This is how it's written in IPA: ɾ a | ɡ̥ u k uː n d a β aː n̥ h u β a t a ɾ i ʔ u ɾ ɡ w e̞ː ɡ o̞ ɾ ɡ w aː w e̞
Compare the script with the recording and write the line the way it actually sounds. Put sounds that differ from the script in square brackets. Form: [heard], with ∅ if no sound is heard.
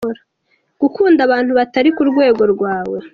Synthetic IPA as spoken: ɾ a | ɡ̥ u k uː n d a β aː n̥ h u β a t a ɾ i [k] u ɾ ɡ w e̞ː ɡ o̞ ɾ ɡ w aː w e̞